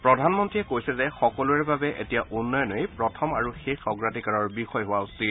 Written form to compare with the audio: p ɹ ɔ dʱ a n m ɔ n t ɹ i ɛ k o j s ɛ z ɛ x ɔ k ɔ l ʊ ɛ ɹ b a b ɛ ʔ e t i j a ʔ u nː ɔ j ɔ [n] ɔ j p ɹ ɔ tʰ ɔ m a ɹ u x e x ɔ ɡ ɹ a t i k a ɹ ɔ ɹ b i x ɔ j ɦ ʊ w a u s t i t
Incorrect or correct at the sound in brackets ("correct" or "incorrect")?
correct